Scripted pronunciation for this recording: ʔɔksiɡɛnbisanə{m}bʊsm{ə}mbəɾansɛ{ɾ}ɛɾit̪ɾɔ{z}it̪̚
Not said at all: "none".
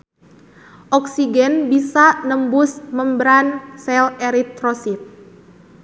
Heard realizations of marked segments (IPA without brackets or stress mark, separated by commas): m, ə, l, s